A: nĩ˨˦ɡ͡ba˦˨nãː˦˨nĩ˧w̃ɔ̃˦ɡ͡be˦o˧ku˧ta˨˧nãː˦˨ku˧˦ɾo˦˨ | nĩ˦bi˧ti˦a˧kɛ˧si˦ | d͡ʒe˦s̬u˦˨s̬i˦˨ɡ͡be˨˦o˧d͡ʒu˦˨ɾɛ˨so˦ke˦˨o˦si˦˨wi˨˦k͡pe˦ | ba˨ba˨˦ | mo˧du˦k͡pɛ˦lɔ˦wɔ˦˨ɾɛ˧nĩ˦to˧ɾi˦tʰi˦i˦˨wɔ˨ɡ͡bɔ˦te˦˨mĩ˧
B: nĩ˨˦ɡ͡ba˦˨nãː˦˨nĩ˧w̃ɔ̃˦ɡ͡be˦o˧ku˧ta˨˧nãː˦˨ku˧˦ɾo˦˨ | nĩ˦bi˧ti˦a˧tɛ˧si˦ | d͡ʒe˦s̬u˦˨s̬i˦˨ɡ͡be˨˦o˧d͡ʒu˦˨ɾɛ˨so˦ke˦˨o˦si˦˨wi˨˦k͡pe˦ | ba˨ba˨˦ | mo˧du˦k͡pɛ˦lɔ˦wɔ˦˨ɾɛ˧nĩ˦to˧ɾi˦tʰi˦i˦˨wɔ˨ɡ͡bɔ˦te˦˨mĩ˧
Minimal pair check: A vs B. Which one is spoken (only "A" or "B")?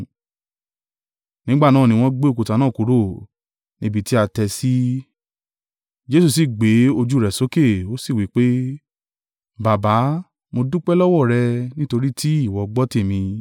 B